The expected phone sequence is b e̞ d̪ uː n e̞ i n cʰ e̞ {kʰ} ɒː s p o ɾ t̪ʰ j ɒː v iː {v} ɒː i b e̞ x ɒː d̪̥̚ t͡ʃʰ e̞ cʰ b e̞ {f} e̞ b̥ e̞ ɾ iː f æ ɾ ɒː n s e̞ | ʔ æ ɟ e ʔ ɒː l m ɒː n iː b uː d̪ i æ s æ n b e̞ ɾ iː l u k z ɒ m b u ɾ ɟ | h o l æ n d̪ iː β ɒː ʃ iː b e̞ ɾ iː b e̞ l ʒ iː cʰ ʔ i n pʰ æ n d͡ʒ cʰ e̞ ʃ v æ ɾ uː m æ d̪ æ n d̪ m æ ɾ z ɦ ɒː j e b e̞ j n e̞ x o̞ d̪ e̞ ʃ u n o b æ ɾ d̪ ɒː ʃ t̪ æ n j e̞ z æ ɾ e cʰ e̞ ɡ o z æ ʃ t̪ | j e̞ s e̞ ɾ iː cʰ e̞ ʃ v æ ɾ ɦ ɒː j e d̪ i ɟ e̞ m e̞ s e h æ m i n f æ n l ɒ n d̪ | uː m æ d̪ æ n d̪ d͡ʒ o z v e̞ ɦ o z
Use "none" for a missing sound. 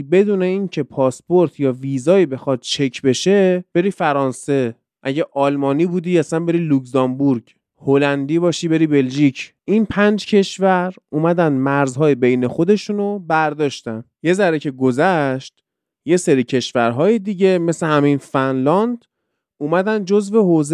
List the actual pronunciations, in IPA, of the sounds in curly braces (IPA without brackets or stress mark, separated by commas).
pʰ, z, ʃ